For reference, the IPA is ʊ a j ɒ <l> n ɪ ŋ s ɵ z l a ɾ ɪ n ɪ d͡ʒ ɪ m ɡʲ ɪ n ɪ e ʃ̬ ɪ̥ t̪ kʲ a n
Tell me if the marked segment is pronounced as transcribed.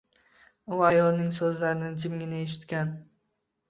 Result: yes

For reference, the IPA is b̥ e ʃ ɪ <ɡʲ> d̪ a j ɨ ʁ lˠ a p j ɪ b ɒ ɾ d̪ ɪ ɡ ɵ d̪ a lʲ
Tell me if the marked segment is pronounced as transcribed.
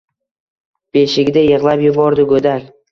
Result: yes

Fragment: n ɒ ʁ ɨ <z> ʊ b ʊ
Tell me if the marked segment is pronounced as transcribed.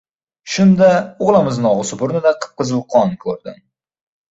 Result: no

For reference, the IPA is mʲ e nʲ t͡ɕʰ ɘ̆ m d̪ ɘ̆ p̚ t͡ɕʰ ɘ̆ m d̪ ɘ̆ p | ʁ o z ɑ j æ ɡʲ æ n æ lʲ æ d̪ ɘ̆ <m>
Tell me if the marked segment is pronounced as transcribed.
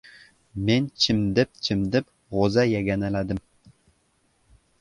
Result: yes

